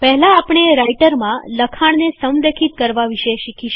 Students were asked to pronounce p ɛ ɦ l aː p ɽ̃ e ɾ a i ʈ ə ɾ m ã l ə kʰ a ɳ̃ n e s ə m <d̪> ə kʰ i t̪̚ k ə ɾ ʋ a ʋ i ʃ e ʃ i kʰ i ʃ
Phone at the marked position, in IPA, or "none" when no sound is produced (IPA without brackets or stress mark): d̪